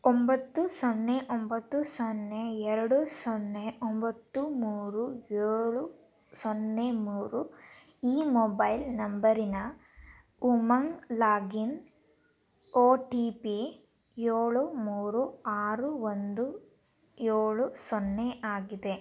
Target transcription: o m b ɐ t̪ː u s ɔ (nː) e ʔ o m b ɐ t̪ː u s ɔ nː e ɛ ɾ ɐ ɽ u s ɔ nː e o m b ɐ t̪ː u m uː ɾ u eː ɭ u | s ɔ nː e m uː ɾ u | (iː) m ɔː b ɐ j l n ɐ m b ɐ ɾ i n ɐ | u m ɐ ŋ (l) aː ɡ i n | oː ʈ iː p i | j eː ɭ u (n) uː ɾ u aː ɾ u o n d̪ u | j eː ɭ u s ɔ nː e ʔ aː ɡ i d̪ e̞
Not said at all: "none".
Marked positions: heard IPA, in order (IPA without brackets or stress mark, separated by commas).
nː, iː, l, m